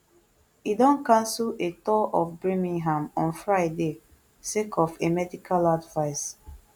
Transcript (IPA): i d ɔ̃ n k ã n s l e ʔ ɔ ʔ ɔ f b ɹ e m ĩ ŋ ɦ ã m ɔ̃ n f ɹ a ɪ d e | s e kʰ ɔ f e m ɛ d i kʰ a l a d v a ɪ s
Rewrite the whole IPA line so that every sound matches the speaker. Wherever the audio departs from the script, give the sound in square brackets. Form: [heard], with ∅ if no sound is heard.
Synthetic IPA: i d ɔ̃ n k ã n s l e [t] ɔ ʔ ɔ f b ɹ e m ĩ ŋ ɦ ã m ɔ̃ n f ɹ a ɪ d e | s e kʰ ɔ f e m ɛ d i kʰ a l a d v a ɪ s